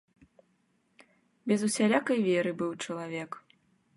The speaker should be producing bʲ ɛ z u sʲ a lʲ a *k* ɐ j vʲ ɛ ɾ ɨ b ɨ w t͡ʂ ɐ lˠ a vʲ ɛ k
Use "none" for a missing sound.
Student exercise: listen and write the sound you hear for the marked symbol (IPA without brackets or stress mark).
k